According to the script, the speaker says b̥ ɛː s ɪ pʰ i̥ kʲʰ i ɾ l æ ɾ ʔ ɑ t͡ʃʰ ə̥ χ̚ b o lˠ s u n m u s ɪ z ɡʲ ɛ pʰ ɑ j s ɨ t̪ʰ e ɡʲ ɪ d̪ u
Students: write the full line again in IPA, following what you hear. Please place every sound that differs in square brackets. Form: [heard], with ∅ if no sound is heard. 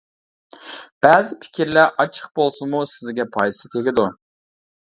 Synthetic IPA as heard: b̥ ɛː [z] ɪ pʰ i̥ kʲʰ i ɾ l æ ɾ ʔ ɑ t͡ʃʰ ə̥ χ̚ b o lˠ s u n m u s ɪ z ɡʲ ɛ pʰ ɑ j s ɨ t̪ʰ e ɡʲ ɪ d̪ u